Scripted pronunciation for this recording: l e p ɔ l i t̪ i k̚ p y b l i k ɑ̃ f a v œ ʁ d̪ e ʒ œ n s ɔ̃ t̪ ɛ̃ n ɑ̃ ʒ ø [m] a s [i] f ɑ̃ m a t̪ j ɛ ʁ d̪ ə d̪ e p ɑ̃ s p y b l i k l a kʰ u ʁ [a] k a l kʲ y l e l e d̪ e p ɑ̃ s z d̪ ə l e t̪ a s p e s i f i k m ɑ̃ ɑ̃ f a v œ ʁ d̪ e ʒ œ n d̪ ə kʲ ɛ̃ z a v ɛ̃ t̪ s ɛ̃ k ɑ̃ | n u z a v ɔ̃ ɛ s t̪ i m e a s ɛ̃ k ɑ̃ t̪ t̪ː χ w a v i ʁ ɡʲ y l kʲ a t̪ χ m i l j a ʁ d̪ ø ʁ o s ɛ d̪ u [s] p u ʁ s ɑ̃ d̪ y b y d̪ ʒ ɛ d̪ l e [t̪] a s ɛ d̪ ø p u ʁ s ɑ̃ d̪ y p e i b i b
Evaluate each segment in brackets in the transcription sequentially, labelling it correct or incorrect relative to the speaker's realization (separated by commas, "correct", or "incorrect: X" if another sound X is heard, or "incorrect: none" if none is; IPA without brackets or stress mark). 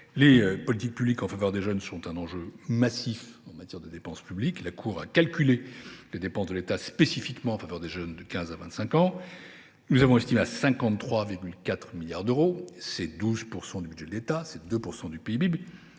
correct, correct, correct, incorrect: z, correct